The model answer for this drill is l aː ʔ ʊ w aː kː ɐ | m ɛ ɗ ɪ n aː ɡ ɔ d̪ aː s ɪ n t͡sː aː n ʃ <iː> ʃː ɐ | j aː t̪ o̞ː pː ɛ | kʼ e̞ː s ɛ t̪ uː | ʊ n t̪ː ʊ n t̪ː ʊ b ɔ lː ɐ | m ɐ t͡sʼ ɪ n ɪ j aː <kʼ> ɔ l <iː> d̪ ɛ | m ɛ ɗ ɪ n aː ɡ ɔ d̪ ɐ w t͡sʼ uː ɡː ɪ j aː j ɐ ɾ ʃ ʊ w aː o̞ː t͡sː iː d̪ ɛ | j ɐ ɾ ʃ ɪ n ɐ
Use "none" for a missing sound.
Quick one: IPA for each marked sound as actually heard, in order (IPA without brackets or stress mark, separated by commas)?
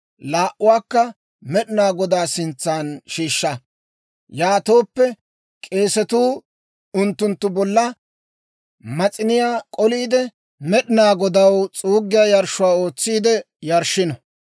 iː, kʼ, iː